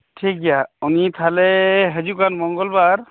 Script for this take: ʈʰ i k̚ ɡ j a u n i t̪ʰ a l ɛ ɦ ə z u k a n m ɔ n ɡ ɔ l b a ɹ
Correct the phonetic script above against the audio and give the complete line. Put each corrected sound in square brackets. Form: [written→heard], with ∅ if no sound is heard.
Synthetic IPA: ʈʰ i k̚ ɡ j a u n i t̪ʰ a l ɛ ɦ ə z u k a n m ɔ [n→ŋ] ɡ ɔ l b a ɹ